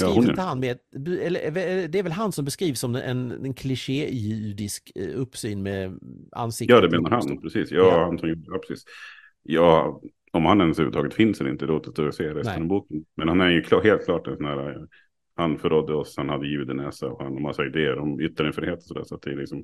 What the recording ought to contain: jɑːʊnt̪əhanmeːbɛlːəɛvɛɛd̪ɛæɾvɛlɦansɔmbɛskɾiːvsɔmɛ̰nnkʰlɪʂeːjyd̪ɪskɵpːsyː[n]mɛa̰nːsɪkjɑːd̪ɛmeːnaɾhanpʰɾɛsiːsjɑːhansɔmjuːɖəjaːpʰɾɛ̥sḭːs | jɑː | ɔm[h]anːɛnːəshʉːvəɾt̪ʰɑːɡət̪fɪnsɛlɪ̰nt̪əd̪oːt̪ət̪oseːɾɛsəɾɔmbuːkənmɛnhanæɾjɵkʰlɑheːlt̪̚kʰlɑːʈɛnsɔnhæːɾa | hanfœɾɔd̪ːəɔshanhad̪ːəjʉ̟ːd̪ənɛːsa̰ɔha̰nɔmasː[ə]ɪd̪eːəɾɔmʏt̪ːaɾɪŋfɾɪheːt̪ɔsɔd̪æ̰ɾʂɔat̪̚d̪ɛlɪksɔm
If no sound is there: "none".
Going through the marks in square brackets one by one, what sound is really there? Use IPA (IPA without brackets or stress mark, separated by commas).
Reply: n, h, a